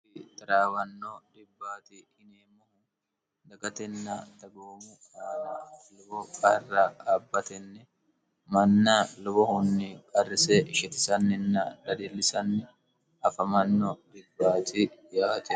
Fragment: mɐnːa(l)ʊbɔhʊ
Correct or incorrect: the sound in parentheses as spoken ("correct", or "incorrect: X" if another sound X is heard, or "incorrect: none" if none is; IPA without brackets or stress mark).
correct